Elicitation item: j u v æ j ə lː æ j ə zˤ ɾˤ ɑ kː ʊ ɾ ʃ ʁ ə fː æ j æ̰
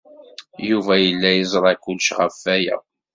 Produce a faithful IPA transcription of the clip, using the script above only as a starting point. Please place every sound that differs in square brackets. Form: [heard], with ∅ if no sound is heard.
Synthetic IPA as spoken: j u v æ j ə lː æ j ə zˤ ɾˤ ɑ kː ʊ [l] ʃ ʁ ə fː æ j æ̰

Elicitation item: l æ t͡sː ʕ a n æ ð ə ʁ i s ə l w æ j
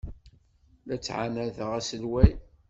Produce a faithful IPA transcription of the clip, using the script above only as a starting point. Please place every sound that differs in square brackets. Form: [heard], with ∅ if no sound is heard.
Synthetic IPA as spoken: l æ t͡sː ʕ a n æ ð ə ʁ [æ] s ə l w æ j

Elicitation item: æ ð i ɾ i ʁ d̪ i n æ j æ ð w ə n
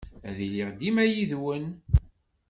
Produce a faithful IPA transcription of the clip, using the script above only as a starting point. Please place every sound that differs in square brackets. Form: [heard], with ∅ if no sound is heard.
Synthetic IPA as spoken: æ ð i [l] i ʁ d̪ i [m] æ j [i] ð w ə n

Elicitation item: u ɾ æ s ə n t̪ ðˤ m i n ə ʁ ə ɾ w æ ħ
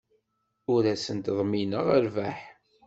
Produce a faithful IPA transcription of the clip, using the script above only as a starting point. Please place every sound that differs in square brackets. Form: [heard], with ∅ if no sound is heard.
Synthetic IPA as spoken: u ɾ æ s ə n t̪ ðˤ m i n ə ʁ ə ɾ [v] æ ħ

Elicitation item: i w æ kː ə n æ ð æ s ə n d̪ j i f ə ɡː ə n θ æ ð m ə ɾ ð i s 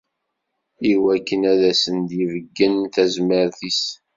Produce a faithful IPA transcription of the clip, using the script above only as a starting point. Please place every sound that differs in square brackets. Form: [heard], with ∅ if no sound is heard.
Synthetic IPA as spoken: i w æ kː ə n æ ð æ s ə n d̪ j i [v] ə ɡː ə n θ æ [z] m ə ɾ [θ] i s

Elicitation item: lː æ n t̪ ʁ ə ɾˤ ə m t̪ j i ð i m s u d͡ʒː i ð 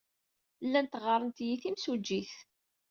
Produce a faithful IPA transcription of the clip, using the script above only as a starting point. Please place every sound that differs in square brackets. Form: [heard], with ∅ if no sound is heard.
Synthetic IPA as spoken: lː æ n t̪ ʁ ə ɾˤ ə [n] t̪ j i [θ] i m s u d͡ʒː i [θ]

